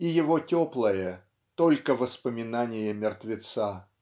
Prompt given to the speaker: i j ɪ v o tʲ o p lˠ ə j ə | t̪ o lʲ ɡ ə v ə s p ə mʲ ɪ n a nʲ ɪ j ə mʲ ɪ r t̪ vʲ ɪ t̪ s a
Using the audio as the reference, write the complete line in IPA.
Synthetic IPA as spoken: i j ɪ v o tʲ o p lˠ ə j ə | t̪ o lʲ k ə v ə s p ə mʲ ɪ n a nʲ ɪ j ə mʲ ɪ r t̪ vʲ ɪ t̪ s a